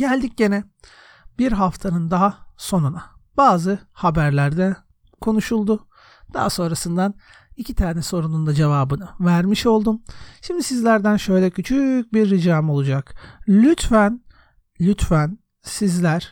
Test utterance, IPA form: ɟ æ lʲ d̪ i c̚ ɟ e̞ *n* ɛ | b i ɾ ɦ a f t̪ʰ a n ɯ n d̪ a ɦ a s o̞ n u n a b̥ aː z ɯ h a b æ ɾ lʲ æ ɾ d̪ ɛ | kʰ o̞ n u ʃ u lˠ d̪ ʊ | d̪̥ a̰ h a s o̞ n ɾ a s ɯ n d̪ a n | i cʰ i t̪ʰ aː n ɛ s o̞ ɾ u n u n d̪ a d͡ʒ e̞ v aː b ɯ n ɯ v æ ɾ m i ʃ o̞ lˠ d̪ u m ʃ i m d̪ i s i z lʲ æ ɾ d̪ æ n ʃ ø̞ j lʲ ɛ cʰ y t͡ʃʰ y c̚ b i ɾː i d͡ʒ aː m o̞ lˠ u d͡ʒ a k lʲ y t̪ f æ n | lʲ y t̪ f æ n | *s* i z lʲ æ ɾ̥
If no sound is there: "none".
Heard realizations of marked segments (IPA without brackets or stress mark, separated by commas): n, s